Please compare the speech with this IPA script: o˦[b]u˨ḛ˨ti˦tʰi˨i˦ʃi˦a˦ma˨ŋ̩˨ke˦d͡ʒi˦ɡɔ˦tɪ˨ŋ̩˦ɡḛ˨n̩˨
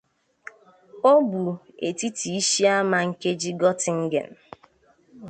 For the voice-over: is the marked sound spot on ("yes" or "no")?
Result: yes